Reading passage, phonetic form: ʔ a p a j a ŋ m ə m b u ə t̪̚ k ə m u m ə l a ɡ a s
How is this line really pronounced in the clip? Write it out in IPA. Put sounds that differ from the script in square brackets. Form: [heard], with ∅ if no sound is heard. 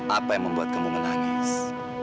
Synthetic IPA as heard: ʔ a p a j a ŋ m ə m b u [a] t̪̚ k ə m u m ə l a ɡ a s